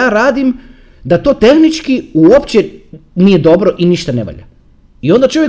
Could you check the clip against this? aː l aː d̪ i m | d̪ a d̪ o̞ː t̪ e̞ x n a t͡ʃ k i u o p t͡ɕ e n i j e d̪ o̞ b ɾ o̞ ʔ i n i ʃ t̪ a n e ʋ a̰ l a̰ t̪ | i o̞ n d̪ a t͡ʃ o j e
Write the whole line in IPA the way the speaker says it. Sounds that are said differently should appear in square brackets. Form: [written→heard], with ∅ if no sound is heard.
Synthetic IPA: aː [l→ɾ] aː d̪ i m | d̪ a [d̪→t̪] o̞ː t̪ e̞ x n [a→i] t͡ʃ k i u o p t͡ɕ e n i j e d̪ o̞ b ɾ o̞ ʔ i n i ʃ t̪ a n e ʋ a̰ [l→ʎ] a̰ [t̪→∅] | i o̞ n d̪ a t͡ʃ o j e